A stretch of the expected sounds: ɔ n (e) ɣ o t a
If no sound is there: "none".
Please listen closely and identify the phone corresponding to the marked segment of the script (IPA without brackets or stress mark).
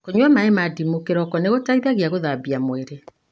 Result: e